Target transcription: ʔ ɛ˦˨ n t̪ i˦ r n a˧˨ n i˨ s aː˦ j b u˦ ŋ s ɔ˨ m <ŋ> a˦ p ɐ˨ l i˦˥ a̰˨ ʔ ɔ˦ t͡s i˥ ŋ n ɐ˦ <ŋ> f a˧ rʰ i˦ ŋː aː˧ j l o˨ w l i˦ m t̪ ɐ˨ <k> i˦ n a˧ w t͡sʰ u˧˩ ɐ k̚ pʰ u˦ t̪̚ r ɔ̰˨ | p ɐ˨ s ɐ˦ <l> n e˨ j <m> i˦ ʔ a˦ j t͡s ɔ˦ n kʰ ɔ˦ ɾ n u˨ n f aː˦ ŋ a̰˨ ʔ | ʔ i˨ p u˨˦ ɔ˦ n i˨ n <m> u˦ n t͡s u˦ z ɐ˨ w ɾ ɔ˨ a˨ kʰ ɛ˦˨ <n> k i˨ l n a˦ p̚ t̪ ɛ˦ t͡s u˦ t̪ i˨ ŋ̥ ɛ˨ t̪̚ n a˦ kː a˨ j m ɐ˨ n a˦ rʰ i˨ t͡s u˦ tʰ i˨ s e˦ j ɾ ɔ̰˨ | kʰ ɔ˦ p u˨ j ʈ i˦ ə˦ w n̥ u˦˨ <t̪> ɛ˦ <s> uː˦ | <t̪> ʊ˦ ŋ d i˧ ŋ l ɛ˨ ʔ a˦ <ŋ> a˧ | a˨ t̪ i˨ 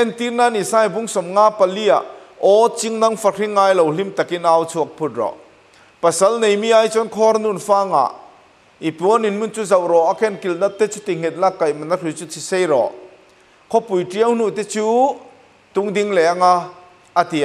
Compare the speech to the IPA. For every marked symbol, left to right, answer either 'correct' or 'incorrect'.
correct, correct, correct, correct, correct, correct, correct, correct, incorrect: t͡s, correct, correct

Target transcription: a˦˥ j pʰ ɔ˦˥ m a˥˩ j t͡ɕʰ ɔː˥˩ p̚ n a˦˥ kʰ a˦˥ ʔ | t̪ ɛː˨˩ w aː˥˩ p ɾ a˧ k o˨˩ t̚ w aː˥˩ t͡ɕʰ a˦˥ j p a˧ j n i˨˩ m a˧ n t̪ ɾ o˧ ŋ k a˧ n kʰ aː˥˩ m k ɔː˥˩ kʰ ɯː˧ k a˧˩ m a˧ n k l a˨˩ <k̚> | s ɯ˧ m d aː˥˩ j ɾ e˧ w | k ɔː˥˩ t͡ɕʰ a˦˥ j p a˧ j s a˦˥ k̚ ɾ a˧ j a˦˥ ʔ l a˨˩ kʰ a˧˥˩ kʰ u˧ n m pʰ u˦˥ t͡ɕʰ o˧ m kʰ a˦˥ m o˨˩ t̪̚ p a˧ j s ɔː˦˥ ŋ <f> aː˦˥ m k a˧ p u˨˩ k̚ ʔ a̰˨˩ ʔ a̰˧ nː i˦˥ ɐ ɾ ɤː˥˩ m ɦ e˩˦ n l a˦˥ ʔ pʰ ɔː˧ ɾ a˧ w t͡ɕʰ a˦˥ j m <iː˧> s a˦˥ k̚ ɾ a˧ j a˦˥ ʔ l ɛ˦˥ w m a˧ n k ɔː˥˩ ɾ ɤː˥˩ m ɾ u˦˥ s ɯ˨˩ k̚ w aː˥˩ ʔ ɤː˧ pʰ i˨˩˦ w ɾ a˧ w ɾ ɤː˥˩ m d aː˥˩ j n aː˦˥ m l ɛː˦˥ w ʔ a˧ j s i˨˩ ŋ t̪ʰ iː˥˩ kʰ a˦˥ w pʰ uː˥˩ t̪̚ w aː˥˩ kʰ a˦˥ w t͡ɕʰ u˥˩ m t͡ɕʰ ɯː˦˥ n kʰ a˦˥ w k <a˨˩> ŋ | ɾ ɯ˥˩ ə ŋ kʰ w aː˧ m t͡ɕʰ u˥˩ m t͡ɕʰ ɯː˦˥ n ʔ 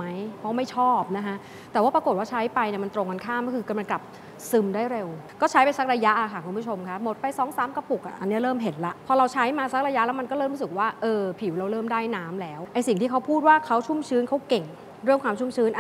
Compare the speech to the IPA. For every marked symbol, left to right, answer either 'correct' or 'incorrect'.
incorrect: p̚, incorrect: s, incorrect: aː˧, incorrect: e˨˩

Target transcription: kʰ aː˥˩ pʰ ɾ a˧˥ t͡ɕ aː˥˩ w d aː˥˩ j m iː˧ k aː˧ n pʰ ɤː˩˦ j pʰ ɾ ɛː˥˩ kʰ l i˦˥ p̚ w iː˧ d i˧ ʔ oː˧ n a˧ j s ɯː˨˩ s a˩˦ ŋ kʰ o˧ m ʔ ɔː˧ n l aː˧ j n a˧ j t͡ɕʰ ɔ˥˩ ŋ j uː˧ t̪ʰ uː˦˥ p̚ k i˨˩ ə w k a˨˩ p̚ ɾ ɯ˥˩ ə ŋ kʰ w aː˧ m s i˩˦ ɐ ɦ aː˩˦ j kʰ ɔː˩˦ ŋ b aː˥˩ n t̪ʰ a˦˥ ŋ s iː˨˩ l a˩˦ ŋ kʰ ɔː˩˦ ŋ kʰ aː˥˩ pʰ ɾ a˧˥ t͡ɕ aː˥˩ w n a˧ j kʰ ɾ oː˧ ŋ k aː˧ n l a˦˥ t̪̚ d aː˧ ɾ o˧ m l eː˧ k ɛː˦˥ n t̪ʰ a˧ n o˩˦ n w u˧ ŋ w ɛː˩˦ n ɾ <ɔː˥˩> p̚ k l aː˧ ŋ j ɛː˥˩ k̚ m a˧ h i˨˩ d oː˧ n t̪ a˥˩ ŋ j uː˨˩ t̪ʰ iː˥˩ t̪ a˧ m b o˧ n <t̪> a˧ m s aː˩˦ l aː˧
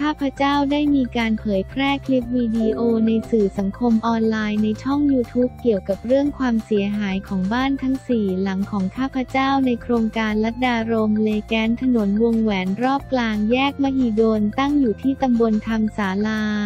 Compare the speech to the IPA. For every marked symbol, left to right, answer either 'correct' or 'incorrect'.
correct, incorrect: t̪ʰ

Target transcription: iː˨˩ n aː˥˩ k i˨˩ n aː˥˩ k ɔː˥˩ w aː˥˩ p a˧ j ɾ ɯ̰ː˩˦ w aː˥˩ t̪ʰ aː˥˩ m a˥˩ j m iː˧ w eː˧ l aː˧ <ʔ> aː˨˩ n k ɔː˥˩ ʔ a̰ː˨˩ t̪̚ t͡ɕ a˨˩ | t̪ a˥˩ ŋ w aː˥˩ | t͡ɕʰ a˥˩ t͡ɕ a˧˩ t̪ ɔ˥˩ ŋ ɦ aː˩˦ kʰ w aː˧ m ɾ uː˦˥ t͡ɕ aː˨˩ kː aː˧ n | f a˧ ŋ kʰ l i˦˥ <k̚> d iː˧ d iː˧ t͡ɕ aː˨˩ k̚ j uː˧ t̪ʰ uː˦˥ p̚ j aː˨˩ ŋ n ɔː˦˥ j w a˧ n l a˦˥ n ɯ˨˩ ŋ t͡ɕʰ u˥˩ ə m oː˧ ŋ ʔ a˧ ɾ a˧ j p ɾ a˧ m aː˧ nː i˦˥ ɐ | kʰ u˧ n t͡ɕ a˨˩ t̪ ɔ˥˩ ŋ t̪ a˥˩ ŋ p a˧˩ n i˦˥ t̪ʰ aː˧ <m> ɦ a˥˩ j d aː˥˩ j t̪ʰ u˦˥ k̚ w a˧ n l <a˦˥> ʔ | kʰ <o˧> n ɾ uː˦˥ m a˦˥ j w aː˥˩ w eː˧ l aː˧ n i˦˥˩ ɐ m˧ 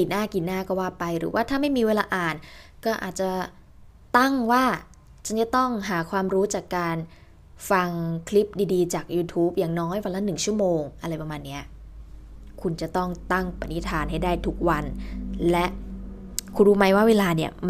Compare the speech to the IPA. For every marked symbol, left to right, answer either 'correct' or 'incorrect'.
correct, incorrect: p̚, incorrect: n, incorrect: ɛ˦˥, incorrect: u˧

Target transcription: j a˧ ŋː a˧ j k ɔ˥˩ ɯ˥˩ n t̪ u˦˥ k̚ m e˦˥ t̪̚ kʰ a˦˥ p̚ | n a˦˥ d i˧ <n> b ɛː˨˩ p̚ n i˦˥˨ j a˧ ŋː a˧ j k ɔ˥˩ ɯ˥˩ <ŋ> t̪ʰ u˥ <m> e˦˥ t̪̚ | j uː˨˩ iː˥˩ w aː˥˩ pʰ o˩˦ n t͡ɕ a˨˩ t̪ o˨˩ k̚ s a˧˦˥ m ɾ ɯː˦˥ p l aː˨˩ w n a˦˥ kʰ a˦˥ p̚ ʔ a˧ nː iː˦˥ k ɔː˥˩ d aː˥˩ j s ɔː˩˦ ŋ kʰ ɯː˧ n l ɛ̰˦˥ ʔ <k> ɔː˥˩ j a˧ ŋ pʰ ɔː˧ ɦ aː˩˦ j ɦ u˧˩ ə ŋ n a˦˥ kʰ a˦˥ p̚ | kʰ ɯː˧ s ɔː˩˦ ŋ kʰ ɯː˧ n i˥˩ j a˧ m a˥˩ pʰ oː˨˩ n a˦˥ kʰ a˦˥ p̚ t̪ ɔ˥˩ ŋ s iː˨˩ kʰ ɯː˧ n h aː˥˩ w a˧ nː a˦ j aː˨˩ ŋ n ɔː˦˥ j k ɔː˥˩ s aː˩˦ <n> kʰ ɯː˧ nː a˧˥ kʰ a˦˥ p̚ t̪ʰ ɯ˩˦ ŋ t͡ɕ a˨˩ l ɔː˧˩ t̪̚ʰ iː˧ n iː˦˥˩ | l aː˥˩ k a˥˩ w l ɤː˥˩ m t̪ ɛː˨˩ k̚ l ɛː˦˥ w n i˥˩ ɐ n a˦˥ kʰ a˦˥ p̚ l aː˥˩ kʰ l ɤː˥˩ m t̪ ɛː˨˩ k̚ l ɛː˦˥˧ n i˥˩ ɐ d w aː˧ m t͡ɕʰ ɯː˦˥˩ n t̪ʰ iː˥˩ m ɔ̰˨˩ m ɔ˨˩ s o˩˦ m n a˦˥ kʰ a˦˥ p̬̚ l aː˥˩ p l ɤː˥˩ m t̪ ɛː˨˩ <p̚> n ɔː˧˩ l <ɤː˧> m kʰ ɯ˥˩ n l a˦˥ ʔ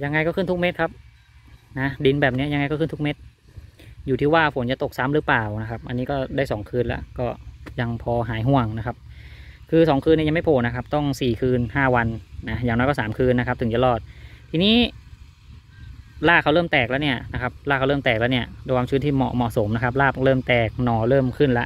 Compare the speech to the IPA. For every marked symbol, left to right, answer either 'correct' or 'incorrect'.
correct, incorrect: n, correct, correct, incorrect: m, incorrect: k̚, incorrect: ɤː˥˩

